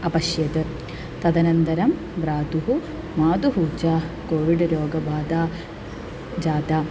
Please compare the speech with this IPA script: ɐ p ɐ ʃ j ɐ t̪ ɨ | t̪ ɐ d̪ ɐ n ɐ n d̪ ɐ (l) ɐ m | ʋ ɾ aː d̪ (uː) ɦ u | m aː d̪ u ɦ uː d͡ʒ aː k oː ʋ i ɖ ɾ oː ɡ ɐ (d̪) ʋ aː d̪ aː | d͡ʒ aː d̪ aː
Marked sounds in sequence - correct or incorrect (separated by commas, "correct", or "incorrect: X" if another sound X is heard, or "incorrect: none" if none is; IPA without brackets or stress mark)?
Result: incorrect: ɾ, incorrect: u, incorrect: none